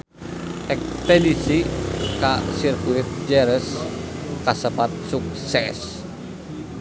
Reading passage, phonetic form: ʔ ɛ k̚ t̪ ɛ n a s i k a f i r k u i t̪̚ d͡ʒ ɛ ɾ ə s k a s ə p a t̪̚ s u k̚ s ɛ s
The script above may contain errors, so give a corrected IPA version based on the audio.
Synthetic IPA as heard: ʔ ɛ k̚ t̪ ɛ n i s i k a s i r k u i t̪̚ d͡ʒ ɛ ɾ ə s k a s ə p a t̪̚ s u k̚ s ɛ s